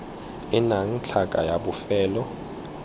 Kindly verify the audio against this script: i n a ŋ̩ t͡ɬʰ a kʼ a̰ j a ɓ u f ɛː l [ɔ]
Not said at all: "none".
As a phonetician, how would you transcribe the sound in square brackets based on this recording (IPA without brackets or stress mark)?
ɔ